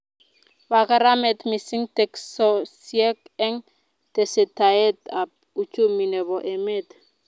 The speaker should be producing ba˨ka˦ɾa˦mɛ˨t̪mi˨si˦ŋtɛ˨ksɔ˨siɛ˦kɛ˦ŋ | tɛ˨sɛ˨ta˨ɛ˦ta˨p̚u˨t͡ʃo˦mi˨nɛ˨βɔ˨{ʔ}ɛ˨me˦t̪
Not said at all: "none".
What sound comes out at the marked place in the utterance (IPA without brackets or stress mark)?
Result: ʔ